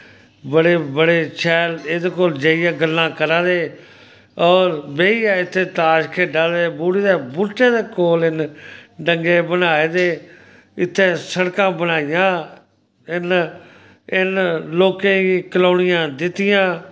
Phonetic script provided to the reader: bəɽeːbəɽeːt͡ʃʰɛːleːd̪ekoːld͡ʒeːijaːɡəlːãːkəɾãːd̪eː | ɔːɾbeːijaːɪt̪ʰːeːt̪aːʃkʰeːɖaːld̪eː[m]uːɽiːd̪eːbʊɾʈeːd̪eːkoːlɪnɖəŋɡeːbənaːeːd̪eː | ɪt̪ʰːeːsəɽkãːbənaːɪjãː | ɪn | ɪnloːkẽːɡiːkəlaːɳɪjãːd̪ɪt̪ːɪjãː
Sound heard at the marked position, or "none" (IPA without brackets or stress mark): b